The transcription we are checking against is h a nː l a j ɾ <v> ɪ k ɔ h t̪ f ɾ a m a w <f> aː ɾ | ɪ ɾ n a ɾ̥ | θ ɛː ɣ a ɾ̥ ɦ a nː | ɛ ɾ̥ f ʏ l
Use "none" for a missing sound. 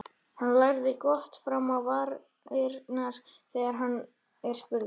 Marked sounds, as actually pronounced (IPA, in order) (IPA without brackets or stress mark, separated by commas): ð, v